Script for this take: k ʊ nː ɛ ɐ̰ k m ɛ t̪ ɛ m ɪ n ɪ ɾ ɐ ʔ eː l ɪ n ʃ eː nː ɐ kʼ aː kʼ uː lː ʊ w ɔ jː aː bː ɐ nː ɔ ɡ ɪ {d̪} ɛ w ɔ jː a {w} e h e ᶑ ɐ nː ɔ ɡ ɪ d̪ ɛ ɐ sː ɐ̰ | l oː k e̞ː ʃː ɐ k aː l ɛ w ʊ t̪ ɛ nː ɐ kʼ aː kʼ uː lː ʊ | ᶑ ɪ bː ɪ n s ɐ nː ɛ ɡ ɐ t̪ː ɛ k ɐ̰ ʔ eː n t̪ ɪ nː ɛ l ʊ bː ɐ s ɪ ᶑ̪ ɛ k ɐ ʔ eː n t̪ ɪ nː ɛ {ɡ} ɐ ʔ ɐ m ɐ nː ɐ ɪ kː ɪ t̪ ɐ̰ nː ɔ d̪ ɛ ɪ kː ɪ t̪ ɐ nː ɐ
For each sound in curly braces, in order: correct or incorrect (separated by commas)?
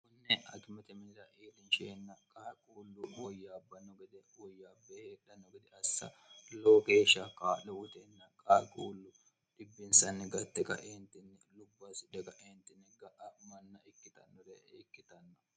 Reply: correct, incorrect, correct